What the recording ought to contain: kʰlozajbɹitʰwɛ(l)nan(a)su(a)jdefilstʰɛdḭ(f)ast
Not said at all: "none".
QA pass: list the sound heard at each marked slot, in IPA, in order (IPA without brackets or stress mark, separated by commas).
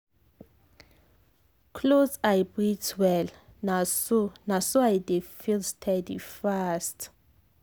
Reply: l, a, a, f